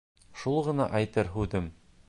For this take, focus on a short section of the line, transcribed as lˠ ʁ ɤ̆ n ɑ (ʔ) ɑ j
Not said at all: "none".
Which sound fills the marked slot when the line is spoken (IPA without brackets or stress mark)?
ʔ